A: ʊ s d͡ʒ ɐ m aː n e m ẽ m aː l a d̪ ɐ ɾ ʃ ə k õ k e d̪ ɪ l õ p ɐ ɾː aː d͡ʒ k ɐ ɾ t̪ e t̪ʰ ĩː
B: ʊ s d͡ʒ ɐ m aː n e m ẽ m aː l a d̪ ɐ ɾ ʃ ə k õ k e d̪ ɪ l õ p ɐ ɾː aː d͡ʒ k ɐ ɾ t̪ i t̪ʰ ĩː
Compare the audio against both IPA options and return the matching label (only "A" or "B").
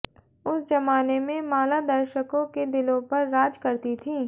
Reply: B